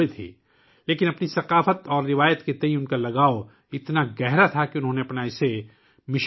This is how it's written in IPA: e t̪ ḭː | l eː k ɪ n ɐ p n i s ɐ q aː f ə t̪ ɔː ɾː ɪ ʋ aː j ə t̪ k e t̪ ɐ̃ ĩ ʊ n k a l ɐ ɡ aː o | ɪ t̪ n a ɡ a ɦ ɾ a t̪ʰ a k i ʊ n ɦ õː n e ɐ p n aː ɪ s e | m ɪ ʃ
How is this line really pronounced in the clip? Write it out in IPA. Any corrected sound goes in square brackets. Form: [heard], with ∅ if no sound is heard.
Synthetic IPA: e [t̪ʰ] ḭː | l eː k ɪ n ɐ p n i s ɐ q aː f ə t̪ ɔː ɾː ɪ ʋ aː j ə t̪ k e t̪ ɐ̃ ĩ ʊ n k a l ɐ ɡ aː o | ɪ t̪ n a ɡ [ɛ] ɦ ɾ a t̪ʰ a k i ʊ n ɦ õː n e ɐ p n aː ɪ s e | m ɪ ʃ